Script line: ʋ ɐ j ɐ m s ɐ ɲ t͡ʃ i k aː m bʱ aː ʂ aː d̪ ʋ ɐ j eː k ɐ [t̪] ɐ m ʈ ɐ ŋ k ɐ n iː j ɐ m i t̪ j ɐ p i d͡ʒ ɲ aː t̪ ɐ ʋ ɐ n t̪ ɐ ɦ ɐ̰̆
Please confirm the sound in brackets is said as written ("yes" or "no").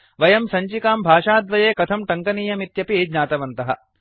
no